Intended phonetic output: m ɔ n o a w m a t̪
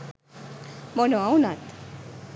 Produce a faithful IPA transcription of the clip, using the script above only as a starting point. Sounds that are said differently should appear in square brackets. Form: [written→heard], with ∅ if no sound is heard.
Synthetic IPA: m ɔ n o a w [m→n] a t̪